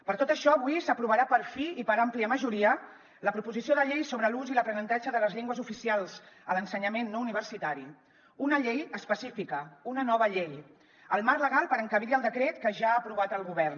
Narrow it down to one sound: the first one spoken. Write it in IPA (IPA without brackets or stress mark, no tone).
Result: p